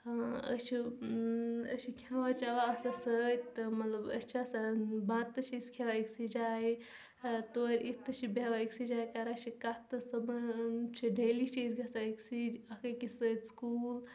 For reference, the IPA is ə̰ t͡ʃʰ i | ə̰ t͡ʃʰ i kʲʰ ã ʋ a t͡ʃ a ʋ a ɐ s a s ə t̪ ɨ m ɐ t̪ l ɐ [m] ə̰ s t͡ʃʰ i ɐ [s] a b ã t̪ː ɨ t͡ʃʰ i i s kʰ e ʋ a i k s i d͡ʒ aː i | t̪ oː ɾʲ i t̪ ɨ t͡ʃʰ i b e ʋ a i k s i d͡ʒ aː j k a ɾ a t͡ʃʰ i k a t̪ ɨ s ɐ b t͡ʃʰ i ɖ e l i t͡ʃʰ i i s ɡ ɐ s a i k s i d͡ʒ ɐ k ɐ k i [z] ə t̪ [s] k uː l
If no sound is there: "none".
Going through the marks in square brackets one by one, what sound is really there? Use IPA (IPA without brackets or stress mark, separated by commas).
b, s, s, s